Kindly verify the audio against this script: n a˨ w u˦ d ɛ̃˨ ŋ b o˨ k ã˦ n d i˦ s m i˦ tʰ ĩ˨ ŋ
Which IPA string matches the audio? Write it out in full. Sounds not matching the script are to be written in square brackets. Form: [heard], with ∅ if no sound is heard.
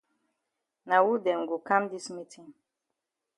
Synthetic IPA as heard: n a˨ w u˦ d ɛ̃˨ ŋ [ɡ] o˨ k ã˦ [m] d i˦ s m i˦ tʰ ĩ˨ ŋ